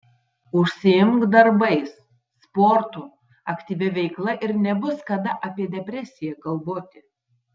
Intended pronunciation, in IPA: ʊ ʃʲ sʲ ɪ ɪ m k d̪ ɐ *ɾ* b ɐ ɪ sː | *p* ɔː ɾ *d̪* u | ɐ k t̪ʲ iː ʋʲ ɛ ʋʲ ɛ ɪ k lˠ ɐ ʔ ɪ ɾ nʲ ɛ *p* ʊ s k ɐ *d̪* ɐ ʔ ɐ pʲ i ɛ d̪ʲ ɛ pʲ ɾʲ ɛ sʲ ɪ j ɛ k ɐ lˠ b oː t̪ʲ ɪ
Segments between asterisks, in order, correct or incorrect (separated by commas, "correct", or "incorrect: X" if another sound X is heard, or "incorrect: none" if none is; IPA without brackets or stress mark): correct, correct, incorrect: t̪, incorrect: b, correct